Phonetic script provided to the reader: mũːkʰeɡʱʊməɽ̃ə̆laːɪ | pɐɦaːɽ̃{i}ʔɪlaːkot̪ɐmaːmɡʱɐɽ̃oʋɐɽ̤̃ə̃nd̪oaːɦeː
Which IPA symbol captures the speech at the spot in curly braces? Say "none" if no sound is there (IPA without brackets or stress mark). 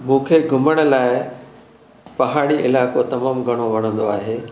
i